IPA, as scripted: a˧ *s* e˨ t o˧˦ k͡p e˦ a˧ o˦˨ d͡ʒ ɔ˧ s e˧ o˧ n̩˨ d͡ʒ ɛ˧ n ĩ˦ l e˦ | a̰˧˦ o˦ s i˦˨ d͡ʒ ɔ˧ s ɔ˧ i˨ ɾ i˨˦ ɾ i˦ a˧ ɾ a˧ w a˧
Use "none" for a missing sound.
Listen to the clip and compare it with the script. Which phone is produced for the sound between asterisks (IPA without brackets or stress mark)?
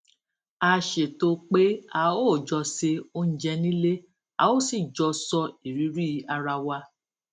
ʃ